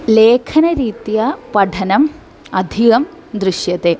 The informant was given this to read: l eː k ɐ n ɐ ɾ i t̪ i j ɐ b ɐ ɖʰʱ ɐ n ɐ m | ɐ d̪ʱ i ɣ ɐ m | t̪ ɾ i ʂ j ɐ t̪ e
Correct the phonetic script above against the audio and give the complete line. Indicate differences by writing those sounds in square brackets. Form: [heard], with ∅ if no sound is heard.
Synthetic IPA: l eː [kʰ] ɐ n ɐ ɾ [iː] t̪ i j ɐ [p] ɐ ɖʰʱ ɐ n ɐ m | ɐ d̪ʱ i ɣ ɐ m | [d̪] ɾ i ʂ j ɐ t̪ e